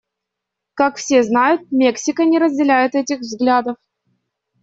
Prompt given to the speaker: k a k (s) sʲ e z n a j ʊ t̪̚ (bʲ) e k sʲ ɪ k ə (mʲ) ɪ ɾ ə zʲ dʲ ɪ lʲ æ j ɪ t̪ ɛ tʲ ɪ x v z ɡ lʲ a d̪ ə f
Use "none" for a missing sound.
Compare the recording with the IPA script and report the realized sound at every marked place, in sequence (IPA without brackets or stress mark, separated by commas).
f, mʲ, nʲ